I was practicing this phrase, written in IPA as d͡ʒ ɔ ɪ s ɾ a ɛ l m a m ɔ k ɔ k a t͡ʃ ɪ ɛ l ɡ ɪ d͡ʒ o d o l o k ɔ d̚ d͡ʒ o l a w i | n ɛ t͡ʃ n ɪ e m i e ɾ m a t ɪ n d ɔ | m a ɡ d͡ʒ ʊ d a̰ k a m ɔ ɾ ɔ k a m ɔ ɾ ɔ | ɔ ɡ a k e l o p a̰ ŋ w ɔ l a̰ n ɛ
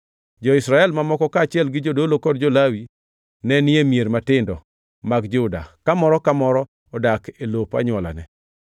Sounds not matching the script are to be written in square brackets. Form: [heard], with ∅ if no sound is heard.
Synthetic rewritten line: d͡ʒ ɔ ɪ s ɾ a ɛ l m a m ɔ k ɔ k a t͡ʃ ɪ ɛ l ɡ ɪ d͡ʒ o d o l o k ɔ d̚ d͡ʒ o l a w i | n ɛ [∅] n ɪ e m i e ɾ m a t ɪ n d ɔ | m a ɡ d͡ʒ ʊ d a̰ k a m ɔ ɾ ɔ k a m ɔ ɾ ɔ | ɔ [d] a k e l o p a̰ [ɲ] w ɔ l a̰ n ɛ